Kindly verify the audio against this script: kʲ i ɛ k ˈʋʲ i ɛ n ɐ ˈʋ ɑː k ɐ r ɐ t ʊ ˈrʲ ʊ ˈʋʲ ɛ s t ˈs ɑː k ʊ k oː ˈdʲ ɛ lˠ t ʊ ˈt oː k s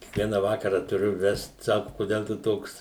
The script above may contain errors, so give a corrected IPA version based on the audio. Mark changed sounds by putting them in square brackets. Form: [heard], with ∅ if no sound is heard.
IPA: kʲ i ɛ k ˈʋʲ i ɛ n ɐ ˈʋ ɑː k ɐ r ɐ t ʊ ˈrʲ ʊ ˈʋʲ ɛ s t ˈs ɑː k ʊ k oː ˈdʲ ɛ lˠ t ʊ ˈt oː k s